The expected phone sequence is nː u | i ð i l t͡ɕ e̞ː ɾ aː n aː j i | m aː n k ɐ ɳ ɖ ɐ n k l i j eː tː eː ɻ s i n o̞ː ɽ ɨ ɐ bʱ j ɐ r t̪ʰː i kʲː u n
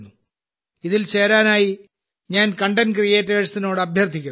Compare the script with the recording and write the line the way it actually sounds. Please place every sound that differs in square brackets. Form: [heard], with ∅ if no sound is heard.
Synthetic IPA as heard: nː u | i ð i l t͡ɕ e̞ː ɾ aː n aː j i | [ɲ] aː n k ɐ ɳ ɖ ɐ n k [r] i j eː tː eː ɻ s i n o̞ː ɽ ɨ ɐ bʱ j ɐ r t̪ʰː i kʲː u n